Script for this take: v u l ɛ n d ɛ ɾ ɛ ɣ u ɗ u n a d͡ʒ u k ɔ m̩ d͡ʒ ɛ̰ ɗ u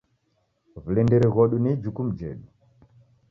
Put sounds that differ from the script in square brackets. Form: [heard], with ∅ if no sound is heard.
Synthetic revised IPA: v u l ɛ n d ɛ ɾ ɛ ɣ [ɔ] ɗ u n [i] d͡ʒ u k [u] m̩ d͡ʒ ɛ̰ ɗ u